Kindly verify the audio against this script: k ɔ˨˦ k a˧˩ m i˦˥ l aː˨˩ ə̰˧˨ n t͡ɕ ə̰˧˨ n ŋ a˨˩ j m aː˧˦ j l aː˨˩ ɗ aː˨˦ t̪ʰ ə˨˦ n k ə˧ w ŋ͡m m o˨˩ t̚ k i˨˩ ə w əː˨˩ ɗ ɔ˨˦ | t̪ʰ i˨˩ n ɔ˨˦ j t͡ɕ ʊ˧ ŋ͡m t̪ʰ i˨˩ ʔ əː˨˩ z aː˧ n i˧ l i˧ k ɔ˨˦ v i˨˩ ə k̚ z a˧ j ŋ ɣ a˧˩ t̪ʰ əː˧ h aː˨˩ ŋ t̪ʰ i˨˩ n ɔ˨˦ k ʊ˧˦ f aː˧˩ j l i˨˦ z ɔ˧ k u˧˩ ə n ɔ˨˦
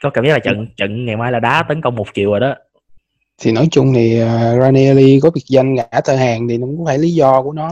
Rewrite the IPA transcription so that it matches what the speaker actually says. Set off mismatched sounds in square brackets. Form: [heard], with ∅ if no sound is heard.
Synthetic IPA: k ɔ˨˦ k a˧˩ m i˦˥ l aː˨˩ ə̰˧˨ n t͡ɕ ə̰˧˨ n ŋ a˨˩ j m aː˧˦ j l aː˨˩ ɗ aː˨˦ [t̪] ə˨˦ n k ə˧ w ŋ͡m m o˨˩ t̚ k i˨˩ ə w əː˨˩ ɗ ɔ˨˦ | t̪ʰ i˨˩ n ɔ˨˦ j t͡ɕ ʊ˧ ŋ͡m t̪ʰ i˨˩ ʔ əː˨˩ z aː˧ n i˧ l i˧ k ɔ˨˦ v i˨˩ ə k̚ z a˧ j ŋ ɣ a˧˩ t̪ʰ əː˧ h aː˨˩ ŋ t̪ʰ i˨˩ n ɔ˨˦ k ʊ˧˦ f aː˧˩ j l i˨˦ z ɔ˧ k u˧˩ ə n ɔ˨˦